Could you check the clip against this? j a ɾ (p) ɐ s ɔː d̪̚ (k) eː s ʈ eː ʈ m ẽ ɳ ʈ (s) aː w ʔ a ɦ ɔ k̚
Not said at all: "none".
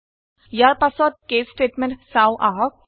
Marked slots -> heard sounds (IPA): p, k, s

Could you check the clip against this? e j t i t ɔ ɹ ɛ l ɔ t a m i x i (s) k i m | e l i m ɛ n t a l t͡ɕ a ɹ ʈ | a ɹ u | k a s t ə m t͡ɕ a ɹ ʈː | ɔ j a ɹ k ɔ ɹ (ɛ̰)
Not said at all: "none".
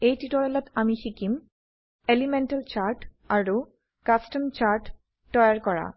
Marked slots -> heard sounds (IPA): none, a̰

